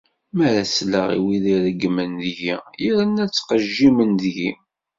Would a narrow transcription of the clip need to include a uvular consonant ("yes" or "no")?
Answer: yes